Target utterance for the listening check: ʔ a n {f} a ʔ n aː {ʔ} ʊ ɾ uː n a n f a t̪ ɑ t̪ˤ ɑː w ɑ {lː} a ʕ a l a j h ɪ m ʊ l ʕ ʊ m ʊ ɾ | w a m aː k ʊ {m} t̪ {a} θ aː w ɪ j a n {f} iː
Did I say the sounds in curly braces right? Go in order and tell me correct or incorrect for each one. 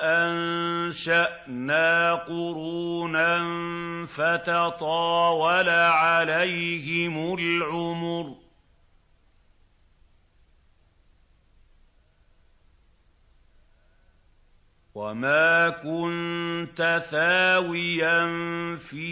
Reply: incorrect: ʃ, incorrect: q, incorrect: l, incorrect: n, correct, correct

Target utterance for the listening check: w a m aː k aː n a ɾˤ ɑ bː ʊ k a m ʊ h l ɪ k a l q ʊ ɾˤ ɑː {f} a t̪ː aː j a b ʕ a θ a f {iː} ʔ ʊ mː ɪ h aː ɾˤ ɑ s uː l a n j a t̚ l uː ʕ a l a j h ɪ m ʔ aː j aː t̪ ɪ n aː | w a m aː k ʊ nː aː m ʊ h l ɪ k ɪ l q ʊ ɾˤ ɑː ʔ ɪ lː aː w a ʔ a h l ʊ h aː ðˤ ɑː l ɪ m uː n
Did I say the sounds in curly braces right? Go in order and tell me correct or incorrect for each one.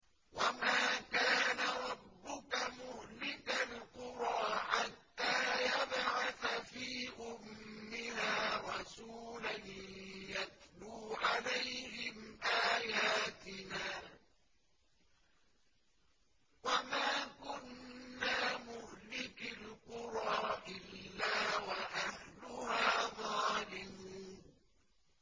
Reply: incorrect: ħ, correct

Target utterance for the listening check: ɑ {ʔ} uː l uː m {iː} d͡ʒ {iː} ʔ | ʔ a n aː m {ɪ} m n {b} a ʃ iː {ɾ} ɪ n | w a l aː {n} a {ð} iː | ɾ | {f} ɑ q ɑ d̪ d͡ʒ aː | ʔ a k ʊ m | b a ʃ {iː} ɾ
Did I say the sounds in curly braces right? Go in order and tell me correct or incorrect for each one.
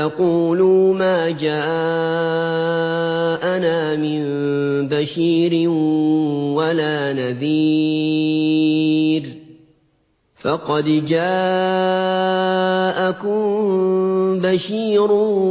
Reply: incorrect: q, incorrect: aː, incorrect: aː, correct, correct, correct, correct, correct, correct, correct

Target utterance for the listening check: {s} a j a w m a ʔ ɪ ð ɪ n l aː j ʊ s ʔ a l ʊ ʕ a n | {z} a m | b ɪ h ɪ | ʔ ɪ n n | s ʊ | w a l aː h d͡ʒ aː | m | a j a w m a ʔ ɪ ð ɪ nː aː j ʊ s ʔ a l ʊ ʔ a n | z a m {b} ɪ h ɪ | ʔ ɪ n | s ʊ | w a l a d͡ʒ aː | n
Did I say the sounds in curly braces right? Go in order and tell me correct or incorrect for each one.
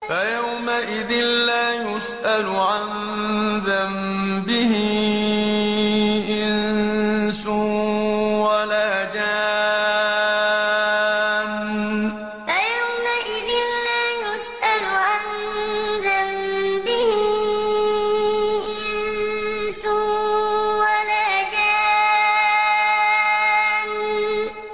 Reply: incorrect: f, incorrect: ð, correct

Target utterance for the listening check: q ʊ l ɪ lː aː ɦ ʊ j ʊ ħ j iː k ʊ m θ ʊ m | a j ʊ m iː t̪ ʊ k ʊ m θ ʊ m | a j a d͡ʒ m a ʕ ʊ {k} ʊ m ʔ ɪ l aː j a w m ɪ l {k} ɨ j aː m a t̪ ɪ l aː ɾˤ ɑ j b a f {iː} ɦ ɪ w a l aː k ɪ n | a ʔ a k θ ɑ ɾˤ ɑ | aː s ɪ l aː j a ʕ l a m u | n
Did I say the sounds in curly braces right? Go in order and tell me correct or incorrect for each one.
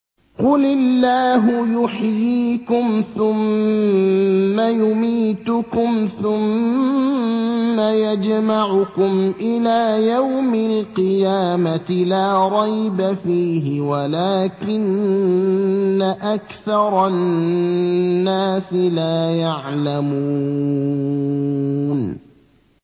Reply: correct, incorrect: q, correct

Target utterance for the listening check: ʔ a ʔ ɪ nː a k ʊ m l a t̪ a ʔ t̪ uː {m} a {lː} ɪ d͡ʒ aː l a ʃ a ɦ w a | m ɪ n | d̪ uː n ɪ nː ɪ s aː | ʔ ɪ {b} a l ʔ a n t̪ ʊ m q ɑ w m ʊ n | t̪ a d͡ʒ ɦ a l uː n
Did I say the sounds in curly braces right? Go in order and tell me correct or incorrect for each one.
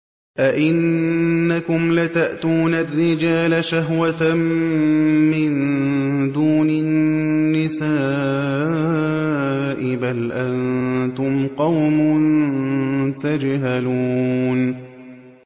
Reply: incorrect: n, incorrect: rː, correct

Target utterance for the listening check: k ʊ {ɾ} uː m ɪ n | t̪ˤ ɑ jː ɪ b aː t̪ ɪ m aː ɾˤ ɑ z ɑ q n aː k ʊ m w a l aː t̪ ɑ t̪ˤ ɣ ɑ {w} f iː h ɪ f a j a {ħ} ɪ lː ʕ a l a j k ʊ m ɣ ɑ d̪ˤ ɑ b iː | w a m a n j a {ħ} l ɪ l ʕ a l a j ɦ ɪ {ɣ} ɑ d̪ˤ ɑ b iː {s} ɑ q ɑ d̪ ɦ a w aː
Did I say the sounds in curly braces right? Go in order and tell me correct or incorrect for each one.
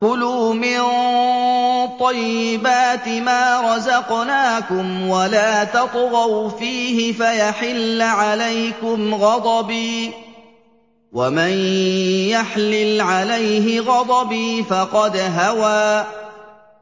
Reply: incorrect: l, correct, correct, correct, correct, incorrect: f

